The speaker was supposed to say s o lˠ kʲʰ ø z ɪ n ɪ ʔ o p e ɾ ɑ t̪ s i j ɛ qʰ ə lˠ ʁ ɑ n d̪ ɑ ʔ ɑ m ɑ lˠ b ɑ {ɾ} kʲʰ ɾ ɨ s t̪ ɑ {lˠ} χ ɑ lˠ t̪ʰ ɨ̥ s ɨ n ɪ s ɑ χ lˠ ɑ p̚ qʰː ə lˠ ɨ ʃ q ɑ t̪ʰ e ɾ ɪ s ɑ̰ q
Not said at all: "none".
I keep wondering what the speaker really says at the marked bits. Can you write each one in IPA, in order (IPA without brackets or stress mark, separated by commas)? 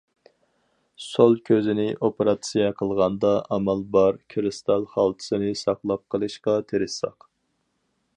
ɾ, lˠ